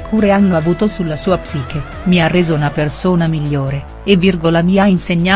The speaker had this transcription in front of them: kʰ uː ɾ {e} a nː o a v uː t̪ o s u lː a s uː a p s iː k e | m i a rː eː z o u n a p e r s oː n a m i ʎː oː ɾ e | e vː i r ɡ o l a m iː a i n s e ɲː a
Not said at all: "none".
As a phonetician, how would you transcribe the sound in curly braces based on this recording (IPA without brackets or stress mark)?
e